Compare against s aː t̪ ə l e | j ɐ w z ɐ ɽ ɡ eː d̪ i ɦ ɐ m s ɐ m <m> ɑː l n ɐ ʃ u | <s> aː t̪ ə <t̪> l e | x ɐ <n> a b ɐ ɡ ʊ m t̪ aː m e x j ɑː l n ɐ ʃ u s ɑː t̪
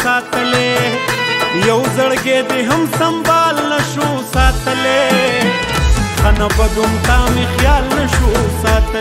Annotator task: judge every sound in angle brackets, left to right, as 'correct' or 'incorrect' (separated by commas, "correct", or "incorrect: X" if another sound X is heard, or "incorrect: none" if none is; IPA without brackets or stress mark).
incorrect: b, correct, incorrect: none, correct